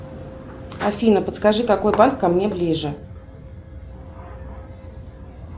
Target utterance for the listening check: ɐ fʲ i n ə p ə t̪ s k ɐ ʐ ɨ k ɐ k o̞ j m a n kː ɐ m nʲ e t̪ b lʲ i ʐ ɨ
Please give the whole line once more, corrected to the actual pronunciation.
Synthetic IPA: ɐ fʲ i n ə p ə t̪ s k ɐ ʐ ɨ k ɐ k o̞ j b a n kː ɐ m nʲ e b lʲ i ʐ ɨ